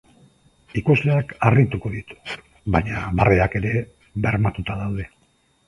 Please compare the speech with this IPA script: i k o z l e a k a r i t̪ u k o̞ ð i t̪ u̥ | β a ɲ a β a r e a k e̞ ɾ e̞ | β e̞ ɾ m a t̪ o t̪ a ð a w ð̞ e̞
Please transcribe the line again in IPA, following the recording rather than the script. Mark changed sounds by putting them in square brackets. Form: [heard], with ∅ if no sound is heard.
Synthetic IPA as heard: i k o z l e a k a r i t̪ u k o̞ ð i t̪ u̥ | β a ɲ a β a r e a k e̞ ɾ e̞ | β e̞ ɾ m a t̪ [u] t̪ a ð a w ð̞ e̞